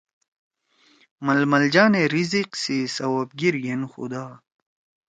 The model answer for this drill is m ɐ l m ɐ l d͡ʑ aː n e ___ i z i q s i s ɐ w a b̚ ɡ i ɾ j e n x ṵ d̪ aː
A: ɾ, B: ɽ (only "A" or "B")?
A